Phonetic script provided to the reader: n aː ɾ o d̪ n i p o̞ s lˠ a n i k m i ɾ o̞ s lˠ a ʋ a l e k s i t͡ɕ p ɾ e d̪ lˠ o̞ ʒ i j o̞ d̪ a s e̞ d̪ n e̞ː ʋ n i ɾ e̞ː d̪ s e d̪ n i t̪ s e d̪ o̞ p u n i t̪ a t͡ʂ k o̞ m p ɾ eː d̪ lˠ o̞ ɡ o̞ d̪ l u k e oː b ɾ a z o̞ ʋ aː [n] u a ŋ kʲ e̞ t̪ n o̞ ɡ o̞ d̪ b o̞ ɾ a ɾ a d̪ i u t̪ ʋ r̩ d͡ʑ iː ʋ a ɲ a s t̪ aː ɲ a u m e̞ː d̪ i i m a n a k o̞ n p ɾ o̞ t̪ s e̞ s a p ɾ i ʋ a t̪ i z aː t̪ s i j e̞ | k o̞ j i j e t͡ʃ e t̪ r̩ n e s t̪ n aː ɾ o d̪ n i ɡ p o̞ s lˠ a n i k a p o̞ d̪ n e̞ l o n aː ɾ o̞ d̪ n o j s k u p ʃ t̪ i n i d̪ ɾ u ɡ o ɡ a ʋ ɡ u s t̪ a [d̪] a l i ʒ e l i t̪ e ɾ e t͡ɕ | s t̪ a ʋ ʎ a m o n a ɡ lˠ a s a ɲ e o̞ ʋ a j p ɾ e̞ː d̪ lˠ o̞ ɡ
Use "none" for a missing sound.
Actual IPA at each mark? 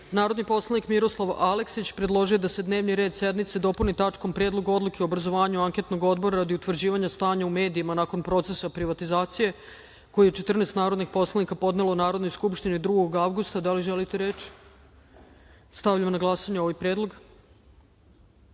ɲ, d̪

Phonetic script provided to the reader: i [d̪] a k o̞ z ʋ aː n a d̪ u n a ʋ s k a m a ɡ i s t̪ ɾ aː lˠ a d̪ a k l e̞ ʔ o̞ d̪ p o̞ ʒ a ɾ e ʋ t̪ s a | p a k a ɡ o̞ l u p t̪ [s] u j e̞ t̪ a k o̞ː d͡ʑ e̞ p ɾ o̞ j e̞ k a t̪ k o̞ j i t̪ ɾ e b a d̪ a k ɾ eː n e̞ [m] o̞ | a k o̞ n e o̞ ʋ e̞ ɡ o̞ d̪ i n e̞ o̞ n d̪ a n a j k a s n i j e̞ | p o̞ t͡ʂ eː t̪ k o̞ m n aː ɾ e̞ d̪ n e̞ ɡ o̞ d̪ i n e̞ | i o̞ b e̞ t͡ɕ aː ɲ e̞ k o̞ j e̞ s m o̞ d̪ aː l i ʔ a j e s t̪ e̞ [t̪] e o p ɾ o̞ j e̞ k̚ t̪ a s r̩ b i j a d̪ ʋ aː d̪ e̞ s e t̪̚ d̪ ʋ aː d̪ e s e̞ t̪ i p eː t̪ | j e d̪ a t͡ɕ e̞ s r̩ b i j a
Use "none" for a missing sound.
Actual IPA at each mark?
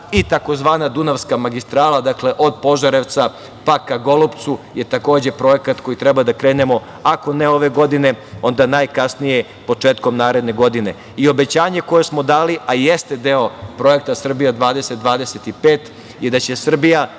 t̪, s, m, d̪

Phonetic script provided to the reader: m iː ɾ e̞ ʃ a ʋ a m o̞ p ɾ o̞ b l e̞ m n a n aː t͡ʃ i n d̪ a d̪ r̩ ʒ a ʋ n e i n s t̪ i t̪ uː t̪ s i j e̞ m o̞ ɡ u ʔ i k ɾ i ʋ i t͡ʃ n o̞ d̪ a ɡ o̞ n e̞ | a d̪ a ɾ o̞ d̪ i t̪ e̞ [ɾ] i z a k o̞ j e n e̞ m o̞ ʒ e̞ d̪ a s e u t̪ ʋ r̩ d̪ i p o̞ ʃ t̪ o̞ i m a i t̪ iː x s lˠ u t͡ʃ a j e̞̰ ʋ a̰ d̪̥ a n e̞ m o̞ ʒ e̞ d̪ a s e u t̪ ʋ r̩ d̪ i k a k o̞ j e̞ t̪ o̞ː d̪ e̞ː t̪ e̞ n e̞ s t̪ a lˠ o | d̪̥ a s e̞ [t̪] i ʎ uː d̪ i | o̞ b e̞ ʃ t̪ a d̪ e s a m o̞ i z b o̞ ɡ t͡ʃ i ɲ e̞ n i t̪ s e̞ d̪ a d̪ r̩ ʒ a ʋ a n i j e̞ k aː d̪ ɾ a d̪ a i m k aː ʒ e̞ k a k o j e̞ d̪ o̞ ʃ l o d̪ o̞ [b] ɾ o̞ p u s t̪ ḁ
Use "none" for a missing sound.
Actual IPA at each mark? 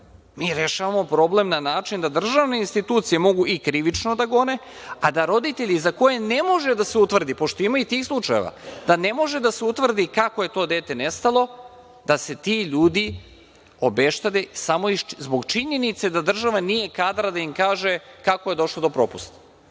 ʎ, t̪, p

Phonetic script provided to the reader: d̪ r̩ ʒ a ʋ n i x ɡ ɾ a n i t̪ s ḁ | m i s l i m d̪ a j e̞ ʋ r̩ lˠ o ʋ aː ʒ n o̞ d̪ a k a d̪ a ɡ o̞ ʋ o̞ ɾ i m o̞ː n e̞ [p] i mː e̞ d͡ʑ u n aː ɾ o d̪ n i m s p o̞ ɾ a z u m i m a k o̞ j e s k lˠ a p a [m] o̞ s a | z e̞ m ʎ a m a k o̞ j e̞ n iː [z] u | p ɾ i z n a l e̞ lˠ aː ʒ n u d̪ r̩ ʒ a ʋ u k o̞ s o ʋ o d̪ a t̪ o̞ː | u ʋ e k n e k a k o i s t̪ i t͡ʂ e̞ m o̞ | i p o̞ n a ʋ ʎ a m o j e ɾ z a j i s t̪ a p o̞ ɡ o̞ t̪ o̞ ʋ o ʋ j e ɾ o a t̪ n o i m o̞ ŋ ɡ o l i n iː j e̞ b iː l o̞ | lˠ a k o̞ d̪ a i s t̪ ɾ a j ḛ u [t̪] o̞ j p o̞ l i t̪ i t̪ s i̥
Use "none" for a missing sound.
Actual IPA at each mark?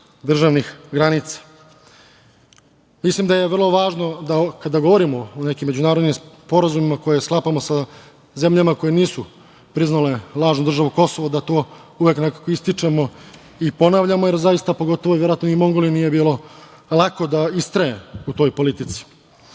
k, m, s, t̪

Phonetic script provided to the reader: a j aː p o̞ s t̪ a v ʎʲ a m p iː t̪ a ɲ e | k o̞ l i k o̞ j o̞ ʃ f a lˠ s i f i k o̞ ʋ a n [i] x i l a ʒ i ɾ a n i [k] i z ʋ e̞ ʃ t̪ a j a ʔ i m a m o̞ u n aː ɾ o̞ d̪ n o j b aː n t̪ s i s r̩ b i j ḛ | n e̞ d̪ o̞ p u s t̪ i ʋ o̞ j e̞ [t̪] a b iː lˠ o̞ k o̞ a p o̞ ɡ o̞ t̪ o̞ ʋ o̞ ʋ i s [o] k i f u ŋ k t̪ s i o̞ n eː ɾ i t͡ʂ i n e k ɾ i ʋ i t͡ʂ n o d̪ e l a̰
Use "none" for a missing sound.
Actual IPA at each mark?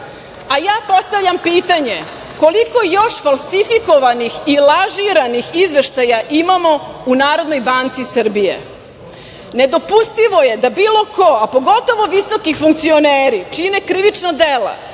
i, x, d̪, o

